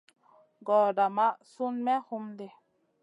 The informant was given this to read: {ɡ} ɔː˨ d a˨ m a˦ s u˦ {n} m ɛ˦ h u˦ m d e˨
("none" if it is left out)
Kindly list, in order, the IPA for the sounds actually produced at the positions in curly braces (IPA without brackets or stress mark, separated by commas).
ɡ, n